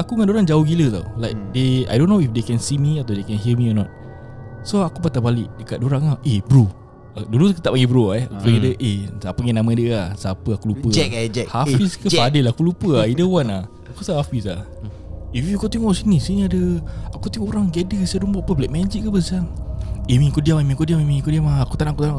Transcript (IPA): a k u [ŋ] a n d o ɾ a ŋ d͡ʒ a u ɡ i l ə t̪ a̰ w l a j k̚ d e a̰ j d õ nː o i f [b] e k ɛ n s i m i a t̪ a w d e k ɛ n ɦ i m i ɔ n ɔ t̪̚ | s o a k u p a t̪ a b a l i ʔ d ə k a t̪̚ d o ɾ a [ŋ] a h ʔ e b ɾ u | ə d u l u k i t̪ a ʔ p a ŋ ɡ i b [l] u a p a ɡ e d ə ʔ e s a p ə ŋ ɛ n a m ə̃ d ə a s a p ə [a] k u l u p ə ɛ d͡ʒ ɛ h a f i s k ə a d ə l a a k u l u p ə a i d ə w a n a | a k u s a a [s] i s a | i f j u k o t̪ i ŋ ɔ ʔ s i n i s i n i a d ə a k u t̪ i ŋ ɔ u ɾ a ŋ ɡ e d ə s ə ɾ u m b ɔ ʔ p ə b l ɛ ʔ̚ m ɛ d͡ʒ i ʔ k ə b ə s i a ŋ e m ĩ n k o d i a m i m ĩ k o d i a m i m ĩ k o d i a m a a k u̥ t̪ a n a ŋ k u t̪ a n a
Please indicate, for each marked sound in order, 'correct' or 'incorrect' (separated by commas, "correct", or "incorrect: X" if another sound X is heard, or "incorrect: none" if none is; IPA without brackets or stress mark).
correct, incorrect: d, correct, incorrect: ɾ, correct, incorrect: f